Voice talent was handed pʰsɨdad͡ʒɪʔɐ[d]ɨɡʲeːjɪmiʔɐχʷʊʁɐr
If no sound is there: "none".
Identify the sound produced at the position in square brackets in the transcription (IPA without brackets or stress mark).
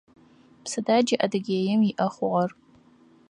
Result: d